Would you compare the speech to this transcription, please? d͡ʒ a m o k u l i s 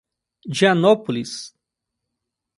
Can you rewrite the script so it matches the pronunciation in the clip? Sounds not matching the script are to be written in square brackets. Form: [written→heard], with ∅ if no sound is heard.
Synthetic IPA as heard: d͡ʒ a [m→n] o [k→p] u l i s

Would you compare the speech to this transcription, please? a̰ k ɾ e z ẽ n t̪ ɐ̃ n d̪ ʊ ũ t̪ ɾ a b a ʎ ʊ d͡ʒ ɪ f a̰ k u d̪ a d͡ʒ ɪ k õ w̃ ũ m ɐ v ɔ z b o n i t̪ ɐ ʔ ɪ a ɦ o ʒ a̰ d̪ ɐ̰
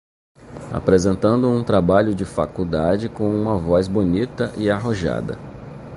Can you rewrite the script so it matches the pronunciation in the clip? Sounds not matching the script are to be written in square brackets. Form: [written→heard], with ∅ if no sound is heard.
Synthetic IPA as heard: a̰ [k→p] ɾ e z ẽ n t̪ ɐ̃ n d̪ ʊ ũ t̪ ɾ a b a ʎ ʊ d͡ʒ ɪ f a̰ k u d̪ a d͡ʒ ɪ k õ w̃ ũ m ɐ v ɔ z b o n i t̪ ɐ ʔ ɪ a ɦ o ʒ a̰ d̪ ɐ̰

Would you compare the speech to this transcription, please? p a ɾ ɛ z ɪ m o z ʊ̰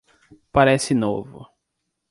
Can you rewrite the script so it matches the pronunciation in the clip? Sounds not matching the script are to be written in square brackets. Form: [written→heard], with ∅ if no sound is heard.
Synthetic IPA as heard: p a ɾ ɛ [z→s] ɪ [m→n] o [z→v] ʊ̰

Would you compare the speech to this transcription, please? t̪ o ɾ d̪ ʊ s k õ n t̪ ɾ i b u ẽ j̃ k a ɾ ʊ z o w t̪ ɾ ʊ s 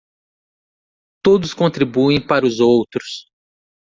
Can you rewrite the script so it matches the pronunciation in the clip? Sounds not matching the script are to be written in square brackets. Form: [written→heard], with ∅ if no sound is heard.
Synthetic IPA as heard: t̪ o [ɾ→∅] d̪ ʊ s k õ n t̪ ɾ i b u ẽ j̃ [k→p] a ɾ ʊ z o w t̪ ɾ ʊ s

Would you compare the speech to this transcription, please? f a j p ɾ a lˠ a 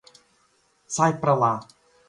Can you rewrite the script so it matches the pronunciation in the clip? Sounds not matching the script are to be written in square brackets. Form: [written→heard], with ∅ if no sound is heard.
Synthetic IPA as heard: [f→s] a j p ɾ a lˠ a

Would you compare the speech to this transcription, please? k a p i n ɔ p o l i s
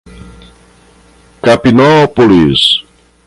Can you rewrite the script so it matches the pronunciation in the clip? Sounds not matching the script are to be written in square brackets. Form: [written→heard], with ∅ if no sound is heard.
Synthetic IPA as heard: k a p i n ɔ p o l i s

